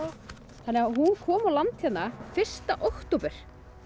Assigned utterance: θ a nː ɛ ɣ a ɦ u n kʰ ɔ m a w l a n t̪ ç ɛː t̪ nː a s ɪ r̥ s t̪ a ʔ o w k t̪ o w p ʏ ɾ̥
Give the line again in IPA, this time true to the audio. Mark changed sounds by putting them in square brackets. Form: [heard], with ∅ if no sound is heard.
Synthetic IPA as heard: θ a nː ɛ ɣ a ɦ u n kʰ [ɔː] m a w l a n t̪ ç [ɛ] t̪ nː a [f] ɪ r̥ s t̪ a ʔ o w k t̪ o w p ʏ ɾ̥